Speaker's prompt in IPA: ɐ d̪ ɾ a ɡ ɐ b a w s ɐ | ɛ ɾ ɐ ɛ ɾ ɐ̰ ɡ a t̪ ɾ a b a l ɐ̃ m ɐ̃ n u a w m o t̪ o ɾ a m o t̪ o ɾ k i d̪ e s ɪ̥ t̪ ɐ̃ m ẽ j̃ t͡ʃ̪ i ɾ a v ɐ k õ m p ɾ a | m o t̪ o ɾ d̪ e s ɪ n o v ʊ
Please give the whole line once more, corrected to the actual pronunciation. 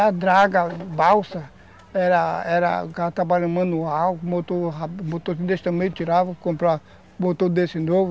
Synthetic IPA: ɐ d̪ ɾ a ɡ ɐ b a w s ɐ | ɛ ɾ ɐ ɛ ɾ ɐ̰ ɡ a t̪ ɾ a b a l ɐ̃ m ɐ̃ n u a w m o t̪ o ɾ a m o t̪ o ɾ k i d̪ e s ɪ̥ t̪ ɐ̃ m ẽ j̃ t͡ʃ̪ i ɾ a v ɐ k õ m p ɾ a | m o t̪ o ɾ d̪ e s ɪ n o v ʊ

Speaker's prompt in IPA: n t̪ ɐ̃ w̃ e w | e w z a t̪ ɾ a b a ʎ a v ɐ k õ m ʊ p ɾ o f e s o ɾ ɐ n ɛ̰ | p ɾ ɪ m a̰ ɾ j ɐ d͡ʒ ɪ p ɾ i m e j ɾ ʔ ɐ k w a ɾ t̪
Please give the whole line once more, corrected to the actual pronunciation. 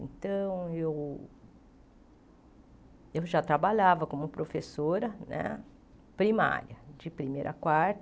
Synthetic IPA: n t̪ ɐ̃ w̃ e w | e w ʒ a t̪ ɾ a b a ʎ a v ɐ k õ m ʊ p ɾ o f e s o ɾ ɐ n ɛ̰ | p ɾ i m a̰ ɾ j ɐ d͡ʒ ɪ p ɾ i m e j ɾ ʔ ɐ k w a ɾ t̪

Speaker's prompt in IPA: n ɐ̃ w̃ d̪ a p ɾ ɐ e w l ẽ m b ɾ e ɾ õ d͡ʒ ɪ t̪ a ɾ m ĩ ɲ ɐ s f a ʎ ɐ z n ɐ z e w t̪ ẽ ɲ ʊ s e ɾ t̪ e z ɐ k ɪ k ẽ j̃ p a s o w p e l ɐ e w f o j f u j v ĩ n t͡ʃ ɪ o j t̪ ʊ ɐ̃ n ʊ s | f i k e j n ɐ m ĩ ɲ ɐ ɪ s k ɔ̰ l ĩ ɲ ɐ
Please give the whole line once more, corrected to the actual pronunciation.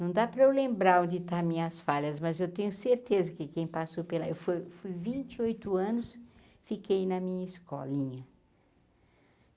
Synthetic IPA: n ɐ̃ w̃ d̪ a p ɾ ɐ e w l ẽ m b ɾ a ɾ õ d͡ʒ ɪ t̪ a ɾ m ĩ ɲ ɐ s f a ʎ ɐ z m ɐ z e w t̪ ẽ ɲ ʊ s e ɾ t̪ e z ɐ k ɪ k ẽ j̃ p a s o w p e l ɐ e w f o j f u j v ĩ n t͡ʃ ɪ o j t̪ ʊ ɐ̃ n ʊ s | f i k e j n ɐ m ĩ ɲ ɐ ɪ s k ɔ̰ l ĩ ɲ ɐ

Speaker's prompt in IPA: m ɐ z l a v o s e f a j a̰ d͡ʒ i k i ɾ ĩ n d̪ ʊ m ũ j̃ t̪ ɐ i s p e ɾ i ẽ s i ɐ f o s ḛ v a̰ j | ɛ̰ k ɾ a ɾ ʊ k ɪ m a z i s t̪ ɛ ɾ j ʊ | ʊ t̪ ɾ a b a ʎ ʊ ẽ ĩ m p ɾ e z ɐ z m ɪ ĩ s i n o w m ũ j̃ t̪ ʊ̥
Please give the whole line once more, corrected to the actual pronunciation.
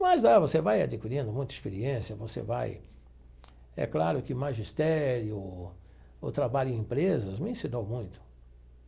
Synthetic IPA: m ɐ z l a v o s e v a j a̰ d͡ʒ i k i ɾ ĩ n d̪ ʊ m ũ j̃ t̪ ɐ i s p e ɾ i ẽ s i ɐ v o s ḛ v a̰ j | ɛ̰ k l a ɾ ʊ k ɪ m a ʒ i s t̪ ɛ ɾ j ʊ | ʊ t̪ ɾ a b a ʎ ʊ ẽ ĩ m p ɾ e z ɐ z m ɪ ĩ s i n o w m ũ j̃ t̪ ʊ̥

